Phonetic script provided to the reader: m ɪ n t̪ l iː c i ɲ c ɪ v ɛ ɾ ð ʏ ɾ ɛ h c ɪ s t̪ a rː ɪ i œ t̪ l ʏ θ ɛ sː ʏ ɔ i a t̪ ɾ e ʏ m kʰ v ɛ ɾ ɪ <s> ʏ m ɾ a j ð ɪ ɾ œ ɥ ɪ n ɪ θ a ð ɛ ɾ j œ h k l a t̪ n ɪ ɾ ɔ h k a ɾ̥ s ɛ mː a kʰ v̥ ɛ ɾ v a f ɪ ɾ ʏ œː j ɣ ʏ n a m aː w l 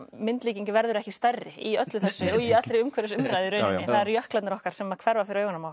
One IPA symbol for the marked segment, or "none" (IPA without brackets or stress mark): s